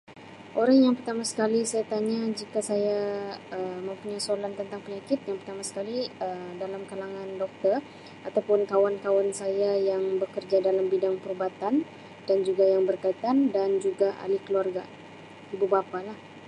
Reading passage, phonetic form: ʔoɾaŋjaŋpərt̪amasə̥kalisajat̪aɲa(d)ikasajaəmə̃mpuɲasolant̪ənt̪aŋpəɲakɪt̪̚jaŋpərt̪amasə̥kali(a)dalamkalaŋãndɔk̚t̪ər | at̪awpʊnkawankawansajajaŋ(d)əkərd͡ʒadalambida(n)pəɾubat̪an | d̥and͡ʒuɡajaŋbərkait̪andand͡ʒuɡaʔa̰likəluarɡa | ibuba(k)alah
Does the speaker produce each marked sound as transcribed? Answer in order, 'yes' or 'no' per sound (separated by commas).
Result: no, no, no, no, no